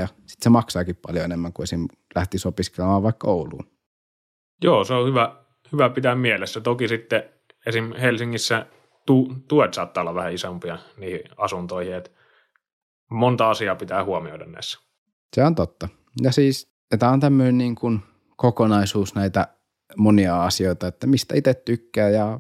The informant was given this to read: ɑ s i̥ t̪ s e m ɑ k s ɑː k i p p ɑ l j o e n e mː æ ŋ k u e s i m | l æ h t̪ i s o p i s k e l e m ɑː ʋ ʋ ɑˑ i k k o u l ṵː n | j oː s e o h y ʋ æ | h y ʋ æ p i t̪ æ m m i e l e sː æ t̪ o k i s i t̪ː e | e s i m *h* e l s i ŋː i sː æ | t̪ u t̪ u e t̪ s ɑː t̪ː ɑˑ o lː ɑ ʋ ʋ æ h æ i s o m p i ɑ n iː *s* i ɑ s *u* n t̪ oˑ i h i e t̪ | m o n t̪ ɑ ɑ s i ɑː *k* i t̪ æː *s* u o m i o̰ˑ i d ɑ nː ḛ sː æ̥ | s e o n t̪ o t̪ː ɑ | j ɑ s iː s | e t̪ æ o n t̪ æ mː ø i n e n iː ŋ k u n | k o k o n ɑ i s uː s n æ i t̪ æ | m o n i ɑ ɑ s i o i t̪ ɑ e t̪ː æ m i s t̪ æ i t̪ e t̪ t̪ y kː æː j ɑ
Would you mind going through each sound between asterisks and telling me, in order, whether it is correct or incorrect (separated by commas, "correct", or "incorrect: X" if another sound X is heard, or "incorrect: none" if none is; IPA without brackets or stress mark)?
correct, incorrect: h, correct, incorrect: p, incorrect: h